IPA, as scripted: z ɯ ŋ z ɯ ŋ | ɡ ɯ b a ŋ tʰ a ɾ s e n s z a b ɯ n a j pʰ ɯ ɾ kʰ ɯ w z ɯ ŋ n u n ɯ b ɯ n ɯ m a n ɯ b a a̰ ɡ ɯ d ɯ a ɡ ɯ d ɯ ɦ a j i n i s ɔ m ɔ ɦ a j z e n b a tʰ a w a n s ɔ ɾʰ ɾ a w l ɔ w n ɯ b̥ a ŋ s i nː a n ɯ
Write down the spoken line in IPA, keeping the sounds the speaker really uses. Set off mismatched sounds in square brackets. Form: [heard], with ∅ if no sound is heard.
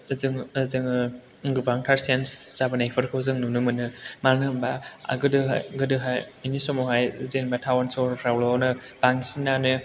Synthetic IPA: z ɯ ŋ z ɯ ŋ | ɡ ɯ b a ŋ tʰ a ɾ s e n s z a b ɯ n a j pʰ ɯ ɾ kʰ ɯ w z ɯ ŋ n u n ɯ [m] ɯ n ɯ m a n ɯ b a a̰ ɡ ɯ d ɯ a ɡ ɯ d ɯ ɦ a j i n i s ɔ m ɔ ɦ a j z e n b a tʰ a w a n s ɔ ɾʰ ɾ a w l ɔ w n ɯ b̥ a ŋ s i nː a n ɯ